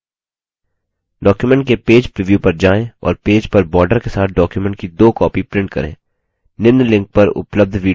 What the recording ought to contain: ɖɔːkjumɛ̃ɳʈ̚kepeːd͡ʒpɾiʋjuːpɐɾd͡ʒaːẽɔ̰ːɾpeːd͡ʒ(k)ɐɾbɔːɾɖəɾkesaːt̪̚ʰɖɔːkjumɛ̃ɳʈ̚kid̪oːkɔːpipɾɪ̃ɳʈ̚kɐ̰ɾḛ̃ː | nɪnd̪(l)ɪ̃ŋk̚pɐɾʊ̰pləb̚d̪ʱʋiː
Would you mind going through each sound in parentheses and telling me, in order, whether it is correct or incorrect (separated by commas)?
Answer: incorrect, correct